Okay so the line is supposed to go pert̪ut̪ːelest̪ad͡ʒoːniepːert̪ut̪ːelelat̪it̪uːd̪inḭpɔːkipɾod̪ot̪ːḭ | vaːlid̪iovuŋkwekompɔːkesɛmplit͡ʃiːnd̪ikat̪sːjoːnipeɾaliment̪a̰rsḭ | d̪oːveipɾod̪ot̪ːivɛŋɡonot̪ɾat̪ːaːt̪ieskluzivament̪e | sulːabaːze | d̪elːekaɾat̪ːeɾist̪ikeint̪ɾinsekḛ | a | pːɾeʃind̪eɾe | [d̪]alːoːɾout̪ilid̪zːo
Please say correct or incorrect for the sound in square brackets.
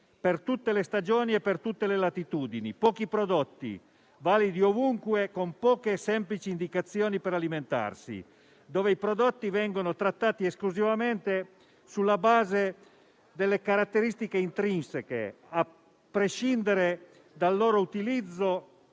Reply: correct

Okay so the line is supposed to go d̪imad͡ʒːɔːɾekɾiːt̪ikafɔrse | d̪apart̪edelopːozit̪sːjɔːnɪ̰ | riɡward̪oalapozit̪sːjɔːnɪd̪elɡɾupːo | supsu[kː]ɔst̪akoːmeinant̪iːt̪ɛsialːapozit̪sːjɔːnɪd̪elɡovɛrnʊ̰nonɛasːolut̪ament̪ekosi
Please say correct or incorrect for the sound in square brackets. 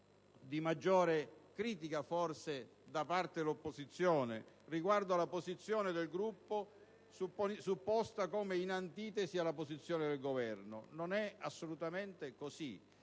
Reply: incorrect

